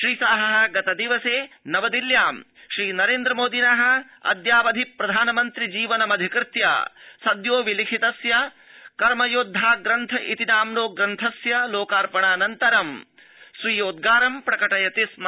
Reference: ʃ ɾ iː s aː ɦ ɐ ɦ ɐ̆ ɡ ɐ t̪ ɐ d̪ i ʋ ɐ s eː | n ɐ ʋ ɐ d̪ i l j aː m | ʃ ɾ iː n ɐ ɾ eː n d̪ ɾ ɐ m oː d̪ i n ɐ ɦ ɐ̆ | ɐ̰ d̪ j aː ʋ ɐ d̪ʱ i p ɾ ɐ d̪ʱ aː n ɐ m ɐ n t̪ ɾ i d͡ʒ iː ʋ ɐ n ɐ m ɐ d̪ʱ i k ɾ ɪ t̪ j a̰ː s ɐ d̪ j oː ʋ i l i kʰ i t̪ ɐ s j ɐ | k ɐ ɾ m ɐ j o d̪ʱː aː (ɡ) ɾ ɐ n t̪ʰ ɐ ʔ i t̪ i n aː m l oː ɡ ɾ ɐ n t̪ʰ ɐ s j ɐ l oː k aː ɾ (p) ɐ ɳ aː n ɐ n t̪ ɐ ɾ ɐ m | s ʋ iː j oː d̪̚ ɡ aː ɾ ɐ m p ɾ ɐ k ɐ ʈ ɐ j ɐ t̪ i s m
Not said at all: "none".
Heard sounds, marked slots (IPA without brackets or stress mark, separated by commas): ɡ, p